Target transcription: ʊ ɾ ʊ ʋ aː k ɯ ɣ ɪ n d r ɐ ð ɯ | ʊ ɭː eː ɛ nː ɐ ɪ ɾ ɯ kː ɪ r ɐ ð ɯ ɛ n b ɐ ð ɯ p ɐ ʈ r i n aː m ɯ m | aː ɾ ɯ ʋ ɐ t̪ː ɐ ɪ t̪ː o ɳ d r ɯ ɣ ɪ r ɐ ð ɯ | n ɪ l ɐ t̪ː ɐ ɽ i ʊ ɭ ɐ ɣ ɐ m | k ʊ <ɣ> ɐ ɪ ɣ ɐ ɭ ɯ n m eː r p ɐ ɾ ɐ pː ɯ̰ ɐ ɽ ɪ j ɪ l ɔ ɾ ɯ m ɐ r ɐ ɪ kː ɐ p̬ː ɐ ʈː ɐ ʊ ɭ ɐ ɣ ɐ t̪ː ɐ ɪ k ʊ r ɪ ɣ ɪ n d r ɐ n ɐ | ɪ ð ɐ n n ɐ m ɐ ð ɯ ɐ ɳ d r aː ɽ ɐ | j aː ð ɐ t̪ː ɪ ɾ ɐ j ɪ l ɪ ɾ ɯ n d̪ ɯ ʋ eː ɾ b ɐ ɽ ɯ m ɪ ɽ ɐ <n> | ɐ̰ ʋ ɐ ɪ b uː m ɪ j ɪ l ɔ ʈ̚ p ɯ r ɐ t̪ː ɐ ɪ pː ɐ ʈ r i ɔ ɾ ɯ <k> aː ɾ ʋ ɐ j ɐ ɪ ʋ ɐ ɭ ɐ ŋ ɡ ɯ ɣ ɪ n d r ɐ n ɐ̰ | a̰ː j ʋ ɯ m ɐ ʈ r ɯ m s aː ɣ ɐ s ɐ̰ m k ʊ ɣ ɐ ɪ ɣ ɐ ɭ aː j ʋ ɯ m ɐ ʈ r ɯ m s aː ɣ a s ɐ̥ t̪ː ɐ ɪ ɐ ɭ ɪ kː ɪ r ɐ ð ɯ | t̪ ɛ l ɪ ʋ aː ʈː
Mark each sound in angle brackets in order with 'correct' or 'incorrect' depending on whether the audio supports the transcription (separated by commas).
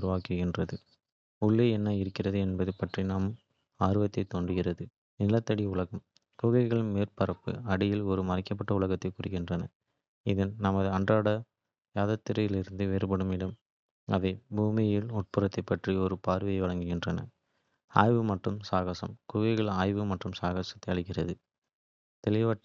correct, incorrect, incorrect